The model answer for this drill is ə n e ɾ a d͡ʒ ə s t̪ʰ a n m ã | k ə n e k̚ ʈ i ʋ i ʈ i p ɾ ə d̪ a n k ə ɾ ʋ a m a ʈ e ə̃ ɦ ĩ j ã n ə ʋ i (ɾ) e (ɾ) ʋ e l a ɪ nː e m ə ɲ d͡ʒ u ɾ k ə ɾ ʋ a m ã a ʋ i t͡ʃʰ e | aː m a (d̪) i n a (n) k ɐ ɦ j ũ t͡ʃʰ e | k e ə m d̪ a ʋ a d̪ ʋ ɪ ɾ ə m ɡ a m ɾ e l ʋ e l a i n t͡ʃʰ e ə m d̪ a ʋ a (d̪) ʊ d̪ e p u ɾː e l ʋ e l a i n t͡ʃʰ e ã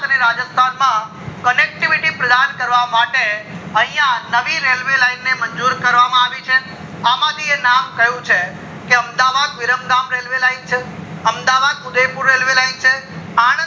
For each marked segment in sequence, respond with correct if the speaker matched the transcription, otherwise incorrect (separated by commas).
correct, incorrect, correct, incorrect, correct